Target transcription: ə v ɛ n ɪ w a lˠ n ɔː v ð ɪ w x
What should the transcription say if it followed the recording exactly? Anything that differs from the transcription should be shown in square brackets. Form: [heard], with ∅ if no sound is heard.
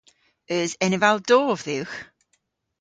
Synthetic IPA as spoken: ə [z] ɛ n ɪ [v] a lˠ [d] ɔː v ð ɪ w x